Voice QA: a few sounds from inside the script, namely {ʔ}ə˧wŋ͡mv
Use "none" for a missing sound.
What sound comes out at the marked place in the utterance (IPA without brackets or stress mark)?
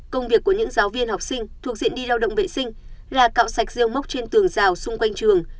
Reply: k